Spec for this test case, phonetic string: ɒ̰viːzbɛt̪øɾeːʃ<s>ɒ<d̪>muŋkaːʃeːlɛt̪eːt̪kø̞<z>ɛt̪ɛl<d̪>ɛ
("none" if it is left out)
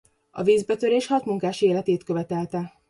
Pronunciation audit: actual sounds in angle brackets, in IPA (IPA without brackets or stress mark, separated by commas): h, t̪, v, t̪